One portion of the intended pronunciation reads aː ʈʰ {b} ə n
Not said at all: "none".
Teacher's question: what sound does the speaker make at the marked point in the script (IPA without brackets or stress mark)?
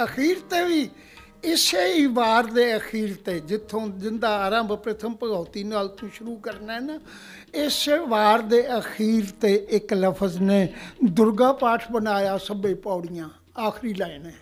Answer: b